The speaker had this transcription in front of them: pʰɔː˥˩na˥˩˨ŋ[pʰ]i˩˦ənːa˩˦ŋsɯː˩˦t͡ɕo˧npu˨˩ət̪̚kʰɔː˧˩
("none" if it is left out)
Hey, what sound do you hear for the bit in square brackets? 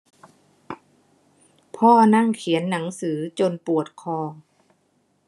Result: kʰ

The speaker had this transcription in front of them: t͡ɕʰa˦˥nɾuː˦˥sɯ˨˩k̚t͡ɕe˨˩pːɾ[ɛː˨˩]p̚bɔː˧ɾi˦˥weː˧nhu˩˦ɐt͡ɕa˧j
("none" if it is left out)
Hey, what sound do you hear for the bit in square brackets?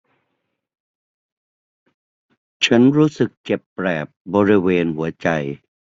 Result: ɛː˨˩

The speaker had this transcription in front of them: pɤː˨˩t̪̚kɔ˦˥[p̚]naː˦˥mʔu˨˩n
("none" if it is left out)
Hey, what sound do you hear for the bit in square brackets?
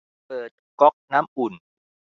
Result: k̚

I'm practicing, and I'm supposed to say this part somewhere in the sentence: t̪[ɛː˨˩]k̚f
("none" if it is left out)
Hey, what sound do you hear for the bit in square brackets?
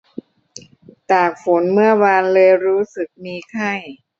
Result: aː˨˩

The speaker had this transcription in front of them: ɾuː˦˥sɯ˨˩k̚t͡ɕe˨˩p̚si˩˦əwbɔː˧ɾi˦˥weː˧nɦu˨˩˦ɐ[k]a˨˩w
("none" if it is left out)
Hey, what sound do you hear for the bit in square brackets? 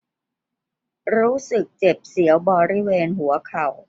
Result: kʰ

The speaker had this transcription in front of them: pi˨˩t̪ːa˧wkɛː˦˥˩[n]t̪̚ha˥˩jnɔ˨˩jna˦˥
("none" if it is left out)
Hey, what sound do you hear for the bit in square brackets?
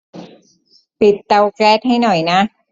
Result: none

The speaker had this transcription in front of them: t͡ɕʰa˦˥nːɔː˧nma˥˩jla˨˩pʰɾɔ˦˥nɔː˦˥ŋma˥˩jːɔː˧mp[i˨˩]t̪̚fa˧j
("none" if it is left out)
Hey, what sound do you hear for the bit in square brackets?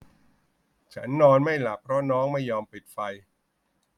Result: i˨˩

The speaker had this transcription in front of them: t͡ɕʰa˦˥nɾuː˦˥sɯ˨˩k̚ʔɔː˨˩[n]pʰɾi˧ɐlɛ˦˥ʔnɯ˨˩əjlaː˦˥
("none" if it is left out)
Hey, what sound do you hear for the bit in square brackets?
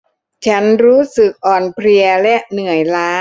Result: n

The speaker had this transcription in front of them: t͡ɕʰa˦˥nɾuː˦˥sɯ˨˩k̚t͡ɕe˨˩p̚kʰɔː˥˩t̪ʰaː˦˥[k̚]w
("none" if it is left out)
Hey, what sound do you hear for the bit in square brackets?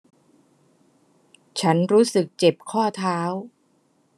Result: none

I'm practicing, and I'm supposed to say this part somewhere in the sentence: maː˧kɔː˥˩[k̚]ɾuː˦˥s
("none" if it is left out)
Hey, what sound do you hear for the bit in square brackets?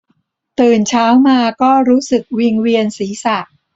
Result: none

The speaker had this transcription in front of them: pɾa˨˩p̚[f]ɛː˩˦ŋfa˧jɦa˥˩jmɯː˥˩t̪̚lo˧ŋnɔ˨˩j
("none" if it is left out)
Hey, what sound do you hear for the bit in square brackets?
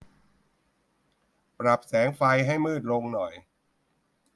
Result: s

